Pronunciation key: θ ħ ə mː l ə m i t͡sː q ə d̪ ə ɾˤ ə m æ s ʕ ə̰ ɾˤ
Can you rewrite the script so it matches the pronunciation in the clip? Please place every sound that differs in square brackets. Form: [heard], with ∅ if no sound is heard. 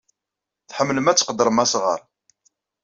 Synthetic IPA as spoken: θ ħ ə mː l ə m [æ] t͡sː q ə d̪ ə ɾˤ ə m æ s [ʁ] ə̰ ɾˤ